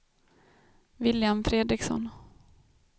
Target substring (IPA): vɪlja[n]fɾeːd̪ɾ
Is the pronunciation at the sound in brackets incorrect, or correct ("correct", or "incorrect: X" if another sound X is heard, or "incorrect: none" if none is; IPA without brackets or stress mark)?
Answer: incorrect: m